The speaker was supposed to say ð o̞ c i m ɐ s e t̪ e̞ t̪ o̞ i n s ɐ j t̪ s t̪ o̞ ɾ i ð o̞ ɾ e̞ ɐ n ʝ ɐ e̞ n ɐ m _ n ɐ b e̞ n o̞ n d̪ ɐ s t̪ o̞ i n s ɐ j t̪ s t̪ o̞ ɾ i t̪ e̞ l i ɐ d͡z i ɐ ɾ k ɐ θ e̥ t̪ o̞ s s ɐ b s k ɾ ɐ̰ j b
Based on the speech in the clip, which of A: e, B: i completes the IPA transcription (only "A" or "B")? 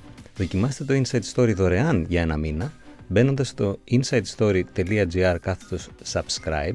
B